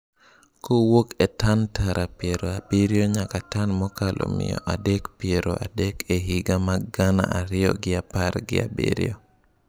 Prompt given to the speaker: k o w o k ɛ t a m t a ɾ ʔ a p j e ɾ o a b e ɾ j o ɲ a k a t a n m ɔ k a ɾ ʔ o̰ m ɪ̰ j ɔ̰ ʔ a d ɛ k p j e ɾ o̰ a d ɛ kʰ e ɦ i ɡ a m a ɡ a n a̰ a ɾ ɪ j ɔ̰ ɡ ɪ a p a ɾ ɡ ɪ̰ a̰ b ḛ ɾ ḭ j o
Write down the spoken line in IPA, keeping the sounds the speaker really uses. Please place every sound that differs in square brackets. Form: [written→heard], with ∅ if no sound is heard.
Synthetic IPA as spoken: k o w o k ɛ t a [m→n] t a ɾ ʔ a p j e ɾ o a b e ɾ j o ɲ a k a t a n m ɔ k a [ɾ→l] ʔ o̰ m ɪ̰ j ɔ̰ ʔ a d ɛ k p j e ɾ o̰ a d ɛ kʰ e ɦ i ɡ a m a ɡ a n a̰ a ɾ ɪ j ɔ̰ ɡ ɪ a p a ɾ ɡ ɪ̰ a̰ b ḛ ɾ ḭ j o